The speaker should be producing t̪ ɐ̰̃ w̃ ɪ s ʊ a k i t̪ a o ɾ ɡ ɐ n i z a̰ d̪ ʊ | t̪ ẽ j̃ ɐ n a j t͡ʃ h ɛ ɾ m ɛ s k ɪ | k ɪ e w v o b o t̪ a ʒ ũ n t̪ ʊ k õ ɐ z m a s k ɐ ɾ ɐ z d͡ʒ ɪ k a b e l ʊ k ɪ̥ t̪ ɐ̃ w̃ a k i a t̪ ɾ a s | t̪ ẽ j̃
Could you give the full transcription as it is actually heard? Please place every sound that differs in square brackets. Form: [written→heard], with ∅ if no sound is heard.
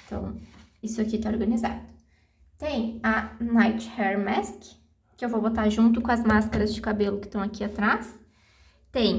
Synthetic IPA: t̪ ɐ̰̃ w̃ [ɪ→i] s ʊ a k i t̪ a o ɾ ɡ ɐ n i z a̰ d̪ ʊ | t̪ ẽ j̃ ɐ n a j t͡ʃ h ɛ ɾ m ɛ s k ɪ | k ɪ e w v o b o t̪ a ʒ ũ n t̪ ʊ k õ ɐ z m a s k ɐ ɾ ɐ z d͡ʒ ɪ k a b e l ʊ k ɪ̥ t̪ ɐ̃ w̃ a k i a t̪ ɾ a s | t̪ ẽ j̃